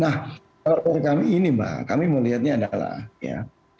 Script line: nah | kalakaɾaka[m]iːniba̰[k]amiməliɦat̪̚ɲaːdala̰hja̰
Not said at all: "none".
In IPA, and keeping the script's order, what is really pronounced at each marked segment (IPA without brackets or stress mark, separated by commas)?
m, k